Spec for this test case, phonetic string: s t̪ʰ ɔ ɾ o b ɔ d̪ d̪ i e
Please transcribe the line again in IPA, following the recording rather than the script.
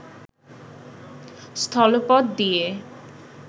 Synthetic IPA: s t̪ʰ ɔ l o p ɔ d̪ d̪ i e